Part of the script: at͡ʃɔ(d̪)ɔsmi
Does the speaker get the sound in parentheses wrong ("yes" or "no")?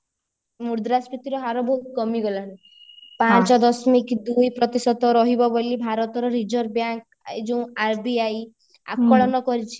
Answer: no